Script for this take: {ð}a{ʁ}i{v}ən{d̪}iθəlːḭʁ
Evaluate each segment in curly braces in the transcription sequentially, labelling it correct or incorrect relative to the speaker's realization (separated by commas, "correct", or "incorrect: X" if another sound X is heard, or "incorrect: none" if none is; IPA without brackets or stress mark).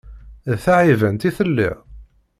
incorrect: θ, incorrect: ʕ, correct, incorrect: t̪